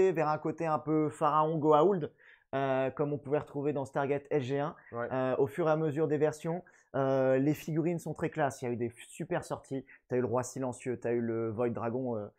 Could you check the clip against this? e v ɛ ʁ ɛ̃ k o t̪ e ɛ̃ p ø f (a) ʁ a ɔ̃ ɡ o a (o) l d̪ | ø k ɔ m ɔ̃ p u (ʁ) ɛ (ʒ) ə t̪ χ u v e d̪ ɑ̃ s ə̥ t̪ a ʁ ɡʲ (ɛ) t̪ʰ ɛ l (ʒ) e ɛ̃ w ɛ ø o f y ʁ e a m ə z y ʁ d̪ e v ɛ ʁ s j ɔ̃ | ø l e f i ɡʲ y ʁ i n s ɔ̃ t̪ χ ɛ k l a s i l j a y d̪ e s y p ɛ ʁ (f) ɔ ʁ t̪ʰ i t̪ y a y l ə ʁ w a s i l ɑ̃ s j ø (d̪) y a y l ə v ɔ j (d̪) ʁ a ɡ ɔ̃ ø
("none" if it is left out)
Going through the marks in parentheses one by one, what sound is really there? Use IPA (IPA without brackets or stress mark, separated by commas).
a, u, v, ʁ, ɛ, ʒ, s, t̪, d̪